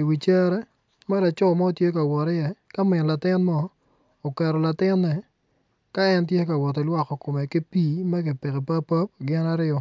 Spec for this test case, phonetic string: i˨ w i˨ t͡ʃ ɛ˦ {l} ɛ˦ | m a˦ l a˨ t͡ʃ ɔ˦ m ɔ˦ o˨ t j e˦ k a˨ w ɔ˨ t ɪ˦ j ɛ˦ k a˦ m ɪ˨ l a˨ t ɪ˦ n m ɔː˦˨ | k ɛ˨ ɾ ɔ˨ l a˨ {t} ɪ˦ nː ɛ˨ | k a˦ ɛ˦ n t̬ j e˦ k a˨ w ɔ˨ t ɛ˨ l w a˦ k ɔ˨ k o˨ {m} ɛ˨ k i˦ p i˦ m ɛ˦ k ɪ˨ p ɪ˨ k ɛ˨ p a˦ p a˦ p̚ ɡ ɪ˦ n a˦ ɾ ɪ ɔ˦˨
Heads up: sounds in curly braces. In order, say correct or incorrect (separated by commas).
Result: incorrect, correct, correct